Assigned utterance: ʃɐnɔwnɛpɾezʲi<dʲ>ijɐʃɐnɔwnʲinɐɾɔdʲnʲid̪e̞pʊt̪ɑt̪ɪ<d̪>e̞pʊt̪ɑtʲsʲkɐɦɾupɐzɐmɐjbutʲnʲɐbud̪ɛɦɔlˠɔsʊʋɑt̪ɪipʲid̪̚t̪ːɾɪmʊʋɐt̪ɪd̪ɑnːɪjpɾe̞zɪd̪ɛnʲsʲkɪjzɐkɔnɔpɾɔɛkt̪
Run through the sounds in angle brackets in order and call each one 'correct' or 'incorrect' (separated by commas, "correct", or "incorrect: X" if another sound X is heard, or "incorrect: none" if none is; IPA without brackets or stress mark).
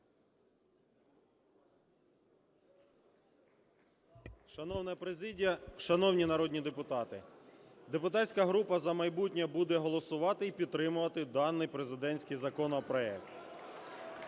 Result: correct, correct